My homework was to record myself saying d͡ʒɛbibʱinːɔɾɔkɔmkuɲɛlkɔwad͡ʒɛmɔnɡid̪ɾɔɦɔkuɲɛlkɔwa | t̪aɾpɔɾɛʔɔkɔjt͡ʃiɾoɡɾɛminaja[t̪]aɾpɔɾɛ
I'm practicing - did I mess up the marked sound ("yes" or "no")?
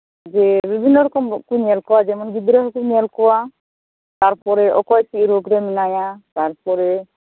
no